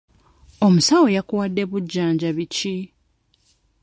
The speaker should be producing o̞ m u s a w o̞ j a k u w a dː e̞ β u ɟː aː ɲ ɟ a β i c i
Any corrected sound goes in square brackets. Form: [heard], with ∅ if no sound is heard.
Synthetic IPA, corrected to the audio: o̞ m u s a w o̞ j a k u w a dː e̞ β u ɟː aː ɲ ɟ a β i c i